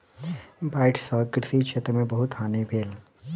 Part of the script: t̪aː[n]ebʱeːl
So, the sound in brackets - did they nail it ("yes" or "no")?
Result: yes